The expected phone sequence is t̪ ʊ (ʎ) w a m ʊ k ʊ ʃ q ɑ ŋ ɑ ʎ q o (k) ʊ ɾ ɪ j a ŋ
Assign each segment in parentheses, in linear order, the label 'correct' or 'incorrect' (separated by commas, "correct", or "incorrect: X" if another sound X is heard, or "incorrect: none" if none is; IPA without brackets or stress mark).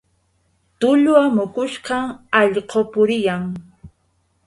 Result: correct, incorrect: p